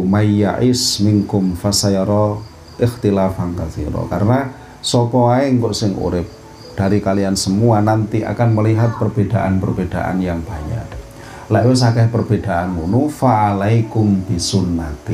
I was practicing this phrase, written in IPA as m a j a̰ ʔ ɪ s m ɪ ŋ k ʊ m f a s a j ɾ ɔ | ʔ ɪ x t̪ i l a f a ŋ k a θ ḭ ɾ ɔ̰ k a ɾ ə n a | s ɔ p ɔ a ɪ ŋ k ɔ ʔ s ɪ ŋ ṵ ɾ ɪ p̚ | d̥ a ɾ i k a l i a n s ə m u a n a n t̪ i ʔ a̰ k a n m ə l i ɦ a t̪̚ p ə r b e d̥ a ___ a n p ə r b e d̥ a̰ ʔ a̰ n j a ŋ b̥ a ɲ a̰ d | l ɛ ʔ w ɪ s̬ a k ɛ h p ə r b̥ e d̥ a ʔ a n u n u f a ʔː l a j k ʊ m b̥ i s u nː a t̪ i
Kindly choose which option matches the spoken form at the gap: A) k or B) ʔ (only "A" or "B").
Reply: B